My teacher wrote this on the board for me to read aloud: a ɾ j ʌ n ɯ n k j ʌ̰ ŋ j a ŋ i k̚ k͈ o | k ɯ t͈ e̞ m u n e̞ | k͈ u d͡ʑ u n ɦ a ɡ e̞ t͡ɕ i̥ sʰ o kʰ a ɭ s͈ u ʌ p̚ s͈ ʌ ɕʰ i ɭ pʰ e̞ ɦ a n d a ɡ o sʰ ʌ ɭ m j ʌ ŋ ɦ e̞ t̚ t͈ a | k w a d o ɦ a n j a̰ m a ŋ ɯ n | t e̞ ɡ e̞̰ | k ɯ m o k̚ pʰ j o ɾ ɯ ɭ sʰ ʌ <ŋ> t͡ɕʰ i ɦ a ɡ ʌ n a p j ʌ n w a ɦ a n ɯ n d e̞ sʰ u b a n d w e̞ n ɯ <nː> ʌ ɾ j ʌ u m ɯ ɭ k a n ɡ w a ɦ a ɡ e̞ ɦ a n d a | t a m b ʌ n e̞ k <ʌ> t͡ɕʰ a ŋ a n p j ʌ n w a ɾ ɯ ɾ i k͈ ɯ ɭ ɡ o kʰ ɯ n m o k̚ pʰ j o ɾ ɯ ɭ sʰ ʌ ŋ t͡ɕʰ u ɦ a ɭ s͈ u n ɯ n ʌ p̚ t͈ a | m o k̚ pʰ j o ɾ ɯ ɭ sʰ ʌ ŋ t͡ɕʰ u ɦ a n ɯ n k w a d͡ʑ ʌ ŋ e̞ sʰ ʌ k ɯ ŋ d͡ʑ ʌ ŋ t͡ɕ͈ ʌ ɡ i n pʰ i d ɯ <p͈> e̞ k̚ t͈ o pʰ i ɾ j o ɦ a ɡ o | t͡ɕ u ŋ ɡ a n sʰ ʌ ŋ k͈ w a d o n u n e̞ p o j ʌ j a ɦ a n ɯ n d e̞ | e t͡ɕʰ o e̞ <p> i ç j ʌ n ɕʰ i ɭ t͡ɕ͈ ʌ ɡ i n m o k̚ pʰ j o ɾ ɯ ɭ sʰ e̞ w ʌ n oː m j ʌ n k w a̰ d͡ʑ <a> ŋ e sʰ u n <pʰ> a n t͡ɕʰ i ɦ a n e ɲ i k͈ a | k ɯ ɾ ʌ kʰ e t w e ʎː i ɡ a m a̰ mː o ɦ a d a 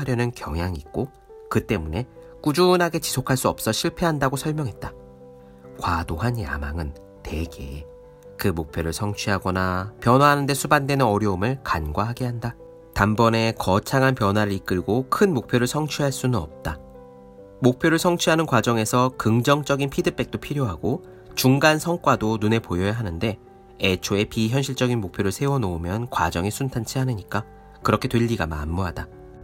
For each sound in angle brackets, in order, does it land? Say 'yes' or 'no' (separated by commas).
yes, no, yes, yes, yes, no, no